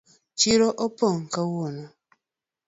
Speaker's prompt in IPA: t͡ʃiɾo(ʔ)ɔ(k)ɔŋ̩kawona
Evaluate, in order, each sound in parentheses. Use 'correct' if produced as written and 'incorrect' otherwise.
correct, incorrect: p

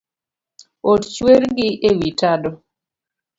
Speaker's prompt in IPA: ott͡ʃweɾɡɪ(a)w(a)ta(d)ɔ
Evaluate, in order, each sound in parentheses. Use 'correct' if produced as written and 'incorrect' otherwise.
incorrect: e, incorrect: i, correct

